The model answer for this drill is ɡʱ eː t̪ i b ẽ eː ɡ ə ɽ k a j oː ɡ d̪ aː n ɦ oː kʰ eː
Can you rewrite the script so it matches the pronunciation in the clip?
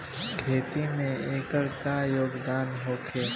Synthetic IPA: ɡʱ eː t̪ i m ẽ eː k ə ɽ k a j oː ɡ d̪ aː n ɦ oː kʰ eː